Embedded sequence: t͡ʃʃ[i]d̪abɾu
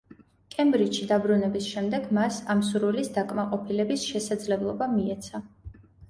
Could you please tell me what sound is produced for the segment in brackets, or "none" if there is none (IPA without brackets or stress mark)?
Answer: i